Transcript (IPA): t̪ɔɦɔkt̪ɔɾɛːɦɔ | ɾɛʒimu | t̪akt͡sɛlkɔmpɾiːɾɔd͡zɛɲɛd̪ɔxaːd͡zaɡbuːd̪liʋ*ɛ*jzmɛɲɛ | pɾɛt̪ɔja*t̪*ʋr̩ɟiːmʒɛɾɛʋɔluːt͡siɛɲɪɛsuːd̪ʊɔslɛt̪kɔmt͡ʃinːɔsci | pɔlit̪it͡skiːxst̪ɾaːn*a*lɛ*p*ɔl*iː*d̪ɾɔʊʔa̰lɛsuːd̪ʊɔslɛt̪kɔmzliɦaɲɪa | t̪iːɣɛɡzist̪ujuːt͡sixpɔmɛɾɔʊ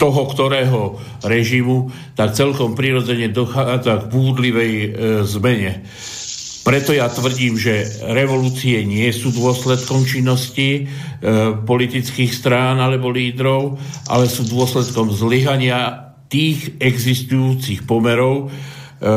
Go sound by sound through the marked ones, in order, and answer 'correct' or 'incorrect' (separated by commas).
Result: correct, correct, correct, incorrect, correct